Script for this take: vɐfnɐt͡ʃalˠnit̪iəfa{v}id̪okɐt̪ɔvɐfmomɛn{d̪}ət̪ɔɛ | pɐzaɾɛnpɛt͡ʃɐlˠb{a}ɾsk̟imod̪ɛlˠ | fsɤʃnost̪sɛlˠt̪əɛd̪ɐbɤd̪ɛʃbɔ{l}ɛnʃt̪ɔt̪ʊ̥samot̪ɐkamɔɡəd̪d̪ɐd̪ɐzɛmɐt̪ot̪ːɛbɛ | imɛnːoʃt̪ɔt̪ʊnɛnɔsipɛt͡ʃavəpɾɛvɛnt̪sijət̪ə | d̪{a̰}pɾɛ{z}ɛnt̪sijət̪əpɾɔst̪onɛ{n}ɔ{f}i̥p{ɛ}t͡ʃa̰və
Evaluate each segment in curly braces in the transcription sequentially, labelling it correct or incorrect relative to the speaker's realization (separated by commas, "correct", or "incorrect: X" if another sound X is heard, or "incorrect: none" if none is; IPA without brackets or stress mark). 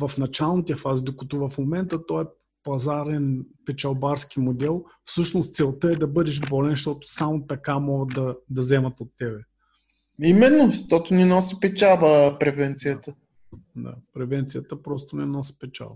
incorrect: z, incorrect: t̪, correct, correct, correct, incorrect: v, correct, incorrect: s, correct